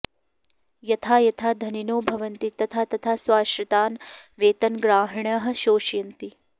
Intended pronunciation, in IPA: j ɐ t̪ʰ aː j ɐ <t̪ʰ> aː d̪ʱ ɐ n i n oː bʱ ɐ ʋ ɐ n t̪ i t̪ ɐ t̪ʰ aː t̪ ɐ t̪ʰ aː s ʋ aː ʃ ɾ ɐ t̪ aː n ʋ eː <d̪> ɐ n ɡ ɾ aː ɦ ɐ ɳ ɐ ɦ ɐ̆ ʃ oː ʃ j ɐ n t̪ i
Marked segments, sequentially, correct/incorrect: correct, incorrect: t̪

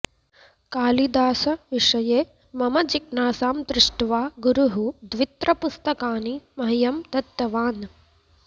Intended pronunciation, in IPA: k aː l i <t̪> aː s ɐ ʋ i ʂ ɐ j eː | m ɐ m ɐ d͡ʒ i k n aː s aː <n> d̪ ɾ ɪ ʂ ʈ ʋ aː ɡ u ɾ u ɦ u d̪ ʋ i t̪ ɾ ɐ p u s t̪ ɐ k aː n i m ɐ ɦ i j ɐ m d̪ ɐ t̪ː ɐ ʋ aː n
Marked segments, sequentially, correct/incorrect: incorrect: d̪, incorrect: m

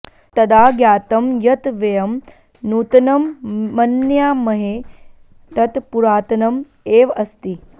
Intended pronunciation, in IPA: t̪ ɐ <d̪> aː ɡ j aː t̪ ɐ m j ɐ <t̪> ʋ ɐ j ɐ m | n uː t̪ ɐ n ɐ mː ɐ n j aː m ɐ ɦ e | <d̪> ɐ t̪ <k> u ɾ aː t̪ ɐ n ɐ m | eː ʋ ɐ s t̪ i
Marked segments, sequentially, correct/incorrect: correct, correct, incorrect: t̪, incorrect: p

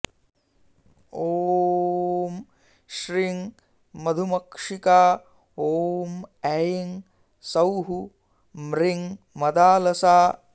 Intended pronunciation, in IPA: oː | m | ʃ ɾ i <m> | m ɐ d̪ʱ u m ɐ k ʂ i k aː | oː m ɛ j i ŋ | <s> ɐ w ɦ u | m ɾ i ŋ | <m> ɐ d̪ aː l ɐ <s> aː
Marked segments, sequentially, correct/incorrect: incorrect: ŋ, correct, correct, correct

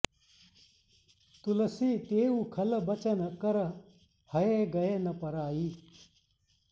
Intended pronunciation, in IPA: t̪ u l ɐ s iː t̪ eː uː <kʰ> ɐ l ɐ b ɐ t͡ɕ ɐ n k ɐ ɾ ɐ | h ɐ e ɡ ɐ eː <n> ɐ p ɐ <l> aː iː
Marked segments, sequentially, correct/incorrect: correct, correct, incorrect: ɾ

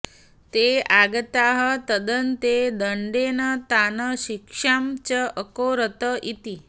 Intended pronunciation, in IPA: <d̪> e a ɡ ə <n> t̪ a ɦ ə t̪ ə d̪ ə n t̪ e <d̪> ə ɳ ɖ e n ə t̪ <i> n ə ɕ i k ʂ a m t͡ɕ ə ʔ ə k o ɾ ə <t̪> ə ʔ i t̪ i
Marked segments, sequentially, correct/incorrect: incorrect: t̪, incorrect: none, correct, incorrect: a, correct

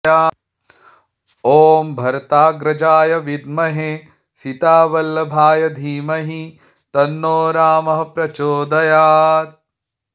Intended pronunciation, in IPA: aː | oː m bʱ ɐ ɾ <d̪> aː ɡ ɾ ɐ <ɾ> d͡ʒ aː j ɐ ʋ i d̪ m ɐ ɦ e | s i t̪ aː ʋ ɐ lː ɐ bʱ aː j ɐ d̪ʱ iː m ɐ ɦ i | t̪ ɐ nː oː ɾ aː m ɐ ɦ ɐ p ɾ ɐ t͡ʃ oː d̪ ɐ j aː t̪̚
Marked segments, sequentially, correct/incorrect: incorrect: t̪, incorrect: none

